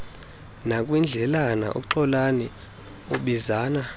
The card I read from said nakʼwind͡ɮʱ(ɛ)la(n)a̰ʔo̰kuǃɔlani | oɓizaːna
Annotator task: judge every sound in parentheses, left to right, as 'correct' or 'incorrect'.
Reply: correct, correct

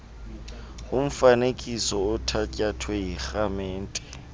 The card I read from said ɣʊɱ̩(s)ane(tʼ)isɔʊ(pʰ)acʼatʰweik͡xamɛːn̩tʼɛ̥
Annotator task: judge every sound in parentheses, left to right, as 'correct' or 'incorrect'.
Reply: incorrect: f, incorrect: kʼ, incorrect: tʰ

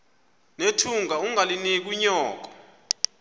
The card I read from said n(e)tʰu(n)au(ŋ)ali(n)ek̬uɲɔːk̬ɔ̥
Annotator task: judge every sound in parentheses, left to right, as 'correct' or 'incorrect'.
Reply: correct, incorrect: ŋ, correct, correct

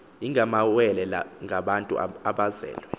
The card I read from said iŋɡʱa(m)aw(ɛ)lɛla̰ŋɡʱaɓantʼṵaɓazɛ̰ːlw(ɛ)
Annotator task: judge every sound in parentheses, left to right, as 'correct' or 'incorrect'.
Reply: correct, correct, correct

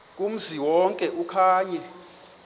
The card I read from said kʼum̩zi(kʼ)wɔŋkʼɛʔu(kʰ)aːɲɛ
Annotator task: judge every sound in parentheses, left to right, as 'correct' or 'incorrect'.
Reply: incorrect: none, correct

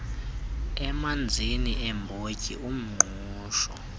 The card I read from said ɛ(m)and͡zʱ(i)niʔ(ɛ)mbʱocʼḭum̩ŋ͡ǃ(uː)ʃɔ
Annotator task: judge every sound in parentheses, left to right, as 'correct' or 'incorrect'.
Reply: correct, correct, correct, correct

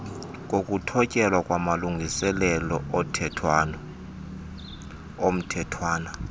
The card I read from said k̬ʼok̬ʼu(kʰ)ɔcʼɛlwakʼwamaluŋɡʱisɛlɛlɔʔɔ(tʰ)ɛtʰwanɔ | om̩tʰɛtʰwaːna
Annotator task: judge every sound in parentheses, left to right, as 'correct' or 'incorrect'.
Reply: incorrect: tʰ, correct

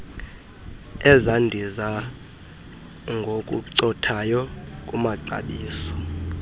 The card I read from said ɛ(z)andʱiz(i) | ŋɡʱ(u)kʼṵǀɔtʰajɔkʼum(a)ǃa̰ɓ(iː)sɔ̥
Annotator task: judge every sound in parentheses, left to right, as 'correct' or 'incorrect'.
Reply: correct, incorrect: a, incorrect: o, correct, correct

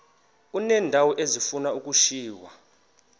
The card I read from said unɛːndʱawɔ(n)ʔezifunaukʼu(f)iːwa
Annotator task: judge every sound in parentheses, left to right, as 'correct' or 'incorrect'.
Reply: incorrect: none, incorrect: ʃ

